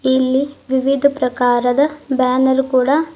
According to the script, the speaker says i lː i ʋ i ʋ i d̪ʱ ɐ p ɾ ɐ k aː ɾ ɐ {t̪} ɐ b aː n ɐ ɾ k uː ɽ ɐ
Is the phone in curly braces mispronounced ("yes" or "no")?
yes